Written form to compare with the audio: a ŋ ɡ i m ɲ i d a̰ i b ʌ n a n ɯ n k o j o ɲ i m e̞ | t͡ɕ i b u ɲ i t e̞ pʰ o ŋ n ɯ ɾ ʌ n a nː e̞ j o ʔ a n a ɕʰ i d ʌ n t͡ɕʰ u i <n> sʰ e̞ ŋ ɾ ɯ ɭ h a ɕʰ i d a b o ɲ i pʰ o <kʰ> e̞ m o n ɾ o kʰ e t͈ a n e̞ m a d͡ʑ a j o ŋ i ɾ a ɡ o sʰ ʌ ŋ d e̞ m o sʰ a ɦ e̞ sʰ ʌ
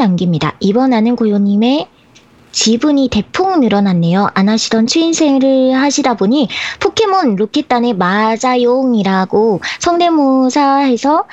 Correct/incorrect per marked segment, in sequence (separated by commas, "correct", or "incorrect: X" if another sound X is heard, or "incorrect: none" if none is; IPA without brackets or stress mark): correct, correct